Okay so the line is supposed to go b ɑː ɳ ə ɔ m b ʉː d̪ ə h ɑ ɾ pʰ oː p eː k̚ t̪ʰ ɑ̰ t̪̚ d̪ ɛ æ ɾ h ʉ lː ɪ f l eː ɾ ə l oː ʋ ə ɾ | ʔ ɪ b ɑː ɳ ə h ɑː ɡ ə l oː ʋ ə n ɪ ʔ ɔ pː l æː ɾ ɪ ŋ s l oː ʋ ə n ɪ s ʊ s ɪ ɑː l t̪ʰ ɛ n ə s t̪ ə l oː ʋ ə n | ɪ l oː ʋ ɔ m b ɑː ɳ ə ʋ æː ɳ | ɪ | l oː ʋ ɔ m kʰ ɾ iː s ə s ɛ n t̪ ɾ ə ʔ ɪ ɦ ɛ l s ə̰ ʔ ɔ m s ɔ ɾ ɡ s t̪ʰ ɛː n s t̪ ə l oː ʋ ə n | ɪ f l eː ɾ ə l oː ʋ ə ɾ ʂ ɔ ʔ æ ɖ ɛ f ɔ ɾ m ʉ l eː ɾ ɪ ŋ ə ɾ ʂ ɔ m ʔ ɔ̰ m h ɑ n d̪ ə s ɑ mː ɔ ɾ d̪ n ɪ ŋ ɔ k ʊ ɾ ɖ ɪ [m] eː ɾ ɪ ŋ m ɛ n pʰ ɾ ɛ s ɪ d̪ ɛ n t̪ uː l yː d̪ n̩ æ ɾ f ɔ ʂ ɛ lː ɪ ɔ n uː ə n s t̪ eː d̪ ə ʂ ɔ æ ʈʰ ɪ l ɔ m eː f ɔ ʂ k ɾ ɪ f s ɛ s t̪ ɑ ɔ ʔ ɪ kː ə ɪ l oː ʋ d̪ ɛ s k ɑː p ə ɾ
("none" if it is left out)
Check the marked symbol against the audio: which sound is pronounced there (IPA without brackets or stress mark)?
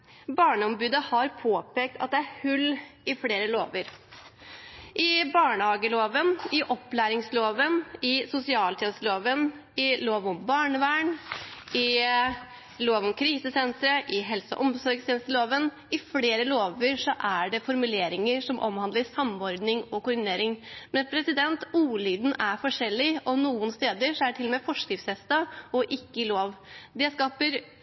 n